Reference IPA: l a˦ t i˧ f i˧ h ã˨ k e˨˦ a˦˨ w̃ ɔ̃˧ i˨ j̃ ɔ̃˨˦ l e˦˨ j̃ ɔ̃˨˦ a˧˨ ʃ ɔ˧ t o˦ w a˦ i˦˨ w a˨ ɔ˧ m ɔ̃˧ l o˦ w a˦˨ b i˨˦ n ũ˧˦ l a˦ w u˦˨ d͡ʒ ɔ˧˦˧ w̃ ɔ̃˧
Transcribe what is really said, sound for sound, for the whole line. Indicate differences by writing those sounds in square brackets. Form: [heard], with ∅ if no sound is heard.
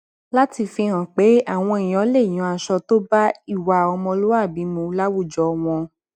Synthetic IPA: l a˦ t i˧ f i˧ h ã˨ [k͡p] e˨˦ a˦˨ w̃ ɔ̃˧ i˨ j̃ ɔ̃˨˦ l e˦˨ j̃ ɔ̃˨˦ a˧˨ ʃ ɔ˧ t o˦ [b] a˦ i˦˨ w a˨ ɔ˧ m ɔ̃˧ l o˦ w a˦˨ b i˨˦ [m] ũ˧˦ l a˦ w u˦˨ d͡ʒ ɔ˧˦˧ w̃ ɔ̃˧